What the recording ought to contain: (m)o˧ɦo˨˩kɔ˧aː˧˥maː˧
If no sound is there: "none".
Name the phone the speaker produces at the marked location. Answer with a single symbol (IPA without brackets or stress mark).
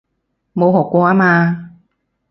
m